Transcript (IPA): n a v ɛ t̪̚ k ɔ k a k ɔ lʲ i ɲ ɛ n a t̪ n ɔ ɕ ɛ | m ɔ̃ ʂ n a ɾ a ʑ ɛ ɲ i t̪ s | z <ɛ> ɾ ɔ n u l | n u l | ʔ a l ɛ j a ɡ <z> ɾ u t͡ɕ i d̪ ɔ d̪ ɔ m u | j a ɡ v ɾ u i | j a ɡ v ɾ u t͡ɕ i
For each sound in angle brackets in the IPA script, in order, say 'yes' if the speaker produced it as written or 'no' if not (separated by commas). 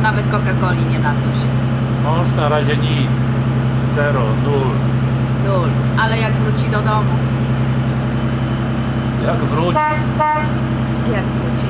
yes, no